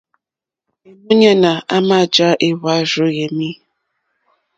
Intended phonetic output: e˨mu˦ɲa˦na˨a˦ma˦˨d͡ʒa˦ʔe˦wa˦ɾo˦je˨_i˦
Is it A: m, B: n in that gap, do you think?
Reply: A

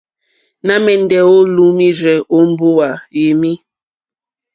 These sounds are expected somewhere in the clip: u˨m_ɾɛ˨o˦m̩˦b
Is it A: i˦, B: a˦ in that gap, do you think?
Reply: A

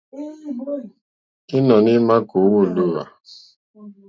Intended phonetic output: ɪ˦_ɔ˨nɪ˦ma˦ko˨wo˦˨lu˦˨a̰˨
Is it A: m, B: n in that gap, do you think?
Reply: B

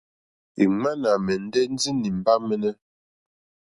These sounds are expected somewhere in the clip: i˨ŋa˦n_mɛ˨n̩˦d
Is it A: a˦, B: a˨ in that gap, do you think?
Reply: B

